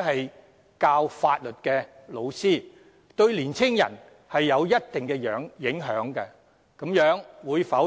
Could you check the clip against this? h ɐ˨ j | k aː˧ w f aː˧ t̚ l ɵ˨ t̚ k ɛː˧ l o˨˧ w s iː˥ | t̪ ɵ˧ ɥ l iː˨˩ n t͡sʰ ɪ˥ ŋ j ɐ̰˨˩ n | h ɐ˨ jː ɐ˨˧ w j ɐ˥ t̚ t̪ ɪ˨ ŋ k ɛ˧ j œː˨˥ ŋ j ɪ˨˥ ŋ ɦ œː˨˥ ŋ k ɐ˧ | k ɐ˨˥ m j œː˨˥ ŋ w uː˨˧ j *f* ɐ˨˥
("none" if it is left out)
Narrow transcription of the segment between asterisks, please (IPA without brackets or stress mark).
f